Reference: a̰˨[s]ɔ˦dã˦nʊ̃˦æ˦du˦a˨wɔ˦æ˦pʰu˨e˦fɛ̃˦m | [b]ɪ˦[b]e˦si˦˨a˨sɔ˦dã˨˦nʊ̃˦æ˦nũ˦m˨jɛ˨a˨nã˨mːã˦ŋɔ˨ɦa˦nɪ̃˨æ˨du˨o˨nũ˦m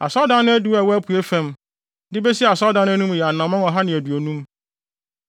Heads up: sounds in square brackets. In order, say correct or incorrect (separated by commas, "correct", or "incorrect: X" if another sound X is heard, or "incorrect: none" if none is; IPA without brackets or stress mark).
correct, incorrect: d, correct